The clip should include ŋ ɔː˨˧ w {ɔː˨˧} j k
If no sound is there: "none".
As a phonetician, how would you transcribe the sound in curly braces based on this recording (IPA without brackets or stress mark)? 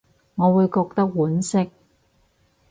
uː˨˧